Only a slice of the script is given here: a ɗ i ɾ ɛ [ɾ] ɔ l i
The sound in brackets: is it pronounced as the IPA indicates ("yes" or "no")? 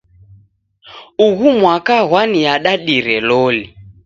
no